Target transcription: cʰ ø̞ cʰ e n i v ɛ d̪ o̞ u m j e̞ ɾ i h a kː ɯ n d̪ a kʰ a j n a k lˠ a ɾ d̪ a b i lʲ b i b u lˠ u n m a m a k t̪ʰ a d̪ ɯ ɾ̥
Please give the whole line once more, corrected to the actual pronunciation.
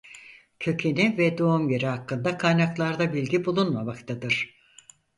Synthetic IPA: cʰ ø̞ cʰ e n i v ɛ d̪ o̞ u m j e̞ ɾ i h a kː ɯ n d̪ a kʰ a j n a k lˠ a ɾ d̪ a b i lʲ ɟ i b u lˠ u n m a m a k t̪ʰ a d̪ ɯ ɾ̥